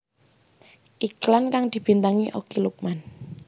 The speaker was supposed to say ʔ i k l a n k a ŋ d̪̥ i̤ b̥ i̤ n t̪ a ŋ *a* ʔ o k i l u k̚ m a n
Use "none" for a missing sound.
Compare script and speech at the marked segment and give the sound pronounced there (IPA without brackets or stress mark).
i